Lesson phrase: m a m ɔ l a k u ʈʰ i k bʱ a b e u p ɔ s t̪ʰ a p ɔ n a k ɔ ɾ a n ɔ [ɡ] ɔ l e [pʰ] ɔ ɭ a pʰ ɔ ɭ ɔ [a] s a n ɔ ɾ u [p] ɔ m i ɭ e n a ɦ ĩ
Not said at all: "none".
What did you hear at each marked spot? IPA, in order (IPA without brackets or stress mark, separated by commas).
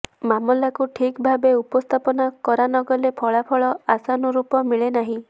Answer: ɡ, pʰ, a, p